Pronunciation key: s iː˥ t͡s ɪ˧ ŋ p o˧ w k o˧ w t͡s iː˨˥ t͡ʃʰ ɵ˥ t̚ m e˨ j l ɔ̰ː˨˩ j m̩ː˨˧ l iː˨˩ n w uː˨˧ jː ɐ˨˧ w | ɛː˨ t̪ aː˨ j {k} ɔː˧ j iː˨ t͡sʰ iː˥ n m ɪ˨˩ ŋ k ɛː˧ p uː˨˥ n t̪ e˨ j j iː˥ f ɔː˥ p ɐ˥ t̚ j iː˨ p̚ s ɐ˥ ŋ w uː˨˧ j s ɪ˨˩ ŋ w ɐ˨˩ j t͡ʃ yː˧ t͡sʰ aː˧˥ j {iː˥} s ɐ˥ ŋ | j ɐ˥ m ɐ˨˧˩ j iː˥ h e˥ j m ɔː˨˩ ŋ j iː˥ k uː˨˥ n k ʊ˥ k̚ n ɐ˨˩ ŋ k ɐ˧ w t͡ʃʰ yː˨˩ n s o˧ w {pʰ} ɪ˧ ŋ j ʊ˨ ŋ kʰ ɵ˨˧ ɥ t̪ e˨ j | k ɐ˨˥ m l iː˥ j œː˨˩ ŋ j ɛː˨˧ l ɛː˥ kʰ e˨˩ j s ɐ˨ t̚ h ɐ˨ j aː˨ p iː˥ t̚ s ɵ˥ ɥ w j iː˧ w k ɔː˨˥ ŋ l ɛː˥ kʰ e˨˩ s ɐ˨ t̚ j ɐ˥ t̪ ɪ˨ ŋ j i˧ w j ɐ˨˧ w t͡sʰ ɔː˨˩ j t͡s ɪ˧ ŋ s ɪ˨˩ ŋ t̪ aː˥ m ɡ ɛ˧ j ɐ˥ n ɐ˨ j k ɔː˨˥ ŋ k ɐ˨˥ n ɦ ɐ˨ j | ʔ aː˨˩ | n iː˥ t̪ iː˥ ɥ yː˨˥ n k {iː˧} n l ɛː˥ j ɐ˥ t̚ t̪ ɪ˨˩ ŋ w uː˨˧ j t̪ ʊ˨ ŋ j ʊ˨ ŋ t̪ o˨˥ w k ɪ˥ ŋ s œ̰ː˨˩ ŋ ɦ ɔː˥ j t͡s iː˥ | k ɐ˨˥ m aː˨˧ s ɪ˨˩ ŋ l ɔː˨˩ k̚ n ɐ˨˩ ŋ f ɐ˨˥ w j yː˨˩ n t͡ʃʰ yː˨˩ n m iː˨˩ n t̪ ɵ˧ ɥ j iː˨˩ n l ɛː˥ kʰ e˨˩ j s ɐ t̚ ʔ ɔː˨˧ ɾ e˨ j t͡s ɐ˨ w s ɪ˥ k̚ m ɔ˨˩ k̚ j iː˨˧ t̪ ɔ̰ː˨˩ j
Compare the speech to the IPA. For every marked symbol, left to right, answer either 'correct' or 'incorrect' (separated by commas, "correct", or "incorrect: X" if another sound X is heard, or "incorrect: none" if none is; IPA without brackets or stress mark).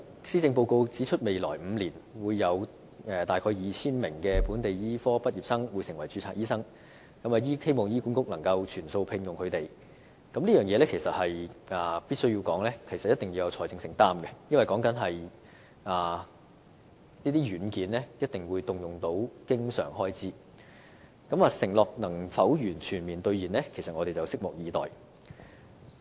incorrect: kʰ, correct, correct, incorrect: iː˨˥